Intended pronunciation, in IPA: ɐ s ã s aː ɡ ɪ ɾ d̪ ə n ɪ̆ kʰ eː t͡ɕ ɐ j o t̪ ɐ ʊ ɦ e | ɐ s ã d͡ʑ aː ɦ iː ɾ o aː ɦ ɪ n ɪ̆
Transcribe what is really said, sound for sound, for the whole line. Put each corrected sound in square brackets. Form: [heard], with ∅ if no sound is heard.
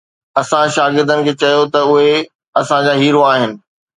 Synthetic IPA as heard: ɐ s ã [ʃ] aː ɡ ɪ ɾ d̪ ə n ɪ̆ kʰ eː t͡ɕ ɐ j o t̪ ɐ ʊ ɦ e | ɐ s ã d͡ʑ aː ɦ iː ɾ o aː ɦ ɪ n ɪ̆